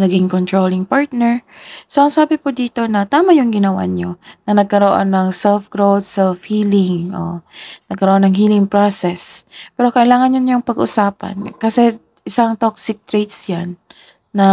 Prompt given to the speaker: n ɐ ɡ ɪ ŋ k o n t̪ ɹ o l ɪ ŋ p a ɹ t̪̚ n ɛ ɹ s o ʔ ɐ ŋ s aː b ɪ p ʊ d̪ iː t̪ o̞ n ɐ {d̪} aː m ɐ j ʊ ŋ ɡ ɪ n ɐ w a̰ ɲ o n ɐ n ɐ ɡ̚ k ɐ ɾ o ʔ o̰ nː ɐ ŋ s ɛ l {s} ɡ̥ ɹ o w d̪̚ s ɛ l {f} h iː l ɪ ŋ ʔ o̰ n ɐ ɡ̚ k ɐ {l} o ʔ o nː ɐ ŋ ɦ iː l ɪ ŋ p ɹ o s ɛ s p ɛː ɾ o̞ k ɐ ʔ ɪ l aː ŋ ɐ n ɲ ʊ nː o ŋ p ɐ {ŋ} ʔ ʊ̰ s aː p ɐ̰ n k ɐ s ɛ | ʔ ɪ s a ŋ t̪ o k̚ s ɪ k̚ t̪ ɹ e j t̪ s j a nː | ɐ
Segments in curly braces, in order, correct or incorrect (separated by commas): incorrect, incorrect, correct, incorrect, incorrect